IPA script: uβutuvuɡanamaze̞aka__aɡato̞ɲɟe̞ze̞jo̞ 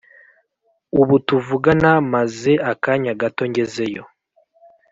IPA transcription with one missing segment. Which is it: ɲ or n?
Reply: ɲ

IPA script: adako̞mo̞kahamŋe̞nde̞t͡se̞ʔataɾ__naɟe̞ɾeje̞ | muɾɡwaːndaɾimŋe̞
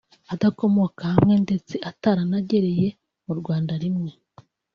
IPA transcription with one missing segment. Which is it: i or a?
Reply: a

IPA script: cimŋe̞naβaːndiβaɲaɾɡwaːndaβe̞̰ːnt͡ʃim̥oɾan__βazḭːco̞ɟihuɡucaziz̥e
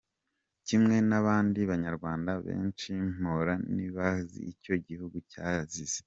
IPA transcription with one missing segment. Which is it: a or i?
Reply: i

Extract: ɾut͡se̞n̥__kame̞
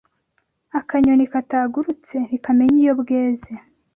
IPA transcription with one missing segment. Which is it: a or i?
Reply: i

